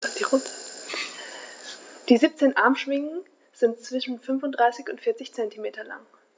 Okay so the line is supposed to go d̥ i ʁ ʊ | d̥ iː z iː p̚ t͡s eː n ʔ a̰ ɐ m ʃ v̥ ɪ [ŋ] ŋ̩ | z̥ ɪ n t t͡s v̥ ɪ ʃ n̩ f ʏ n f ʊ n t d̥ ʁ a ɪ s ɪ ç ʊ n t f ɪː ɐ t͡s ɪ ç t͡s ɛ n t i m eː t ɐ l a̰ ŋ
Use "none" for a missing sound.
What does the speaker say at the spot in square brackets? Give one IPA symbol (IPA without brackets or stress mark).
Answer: ŋ